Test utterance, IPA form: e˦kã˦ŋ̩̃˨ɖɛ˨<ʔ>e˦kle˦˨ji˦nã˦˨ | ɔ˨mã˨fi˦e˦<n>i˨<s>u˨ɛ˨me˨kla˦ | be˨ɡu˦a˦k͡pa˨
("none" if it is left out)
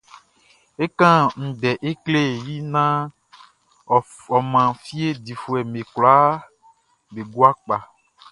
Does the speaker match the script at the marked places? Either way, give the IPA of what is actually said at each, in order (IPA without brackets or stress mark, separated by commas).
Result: ʔ, d, f